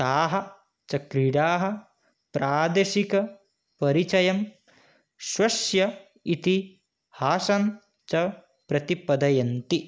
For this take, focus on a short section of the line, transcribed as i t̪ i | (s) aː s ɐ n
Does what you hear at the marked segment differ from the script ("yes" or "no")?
yes